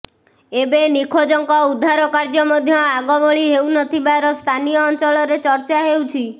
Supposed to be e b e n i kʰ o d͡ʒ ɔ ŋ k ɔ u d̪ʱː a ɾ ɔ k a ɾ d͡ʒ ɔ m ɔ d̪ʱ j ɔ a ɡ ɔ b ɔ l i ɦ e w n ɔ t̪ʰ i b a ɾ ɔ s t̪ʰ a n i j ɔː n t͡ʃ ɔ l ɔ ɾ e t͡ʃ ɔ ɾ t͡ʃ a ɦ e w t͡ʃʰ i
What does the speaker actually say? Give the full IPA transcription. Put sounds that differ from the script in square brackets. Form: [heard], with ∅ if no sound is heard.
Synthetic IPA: e b e n i kʰ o d͡ʒ ɔ ŋ k ɔ u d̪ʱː a ɾ ɔ k a ɾ d͡ʒ ɔ m ɔ d̪ʱ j ɔ a ɡ ɔ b ɔ [ɭ] i ɦ e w n ɔ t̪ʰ i b a ɾ ɔ s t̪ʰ a n i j ɔː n t͡ʃ ɔ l ɔ ɾ e t͡ʃ ɔ ɾ t͡ʃ a ɦ e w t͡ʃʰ i